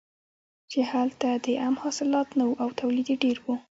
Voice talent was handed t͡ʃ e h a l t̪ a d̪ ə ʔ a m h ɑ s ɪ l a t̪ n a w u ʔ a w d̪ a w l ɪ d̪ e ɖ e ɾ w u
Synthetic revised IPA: t͡ʃ e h a l t̪ a d̪ ə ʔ a m h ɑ s ɪ l ɑ t̪ n a w u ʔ a w t̪ a w l i d̪ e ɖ e ɾ w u